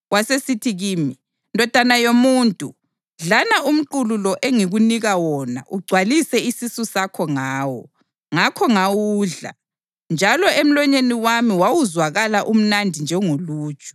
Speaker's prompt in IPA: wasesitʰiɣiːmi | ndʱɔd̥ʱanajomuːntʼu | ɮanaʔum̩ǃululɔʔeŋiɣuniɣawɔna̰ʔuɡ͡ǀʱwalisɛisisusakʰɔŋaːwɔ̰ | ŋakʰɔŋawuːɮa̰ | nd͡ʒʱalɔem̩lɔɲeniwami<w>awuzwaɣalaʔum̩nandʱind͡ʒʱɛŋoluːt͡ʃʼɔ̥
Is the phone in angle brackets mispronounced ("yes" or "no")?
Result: no